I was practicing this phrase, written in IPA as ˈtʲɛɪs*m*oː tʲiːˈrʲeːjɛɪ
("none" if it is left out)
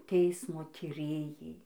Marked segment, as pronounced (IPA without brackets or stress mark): m